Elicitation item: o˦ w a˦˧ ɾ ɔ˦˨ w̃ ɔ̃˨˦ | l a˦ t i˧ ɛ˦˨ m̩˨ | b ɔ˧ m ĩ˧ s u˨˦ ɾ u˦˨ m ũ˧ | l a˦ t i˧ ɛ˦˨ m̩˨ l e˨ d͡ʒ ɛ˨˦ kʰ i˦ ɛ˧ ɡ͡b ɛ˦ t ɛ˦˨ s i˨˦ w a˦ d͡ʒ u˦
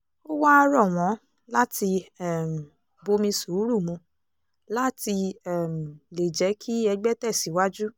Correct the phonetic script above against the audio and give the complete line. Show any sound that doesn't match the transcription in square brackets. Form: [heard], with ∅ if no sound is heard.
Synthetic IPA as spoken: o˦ w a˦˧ ɾ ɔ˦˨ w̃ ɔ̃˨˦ | l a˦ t i˧ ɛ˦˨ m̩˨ | b [o˧] m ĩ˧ s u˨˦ ɾ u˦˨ m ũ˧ | l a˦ t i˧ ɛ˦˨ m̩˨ l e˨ d͡ʒ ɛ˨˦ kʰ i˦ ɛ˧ ɡ͡b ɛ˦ t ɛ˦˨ s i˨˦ w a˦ d͡ʒ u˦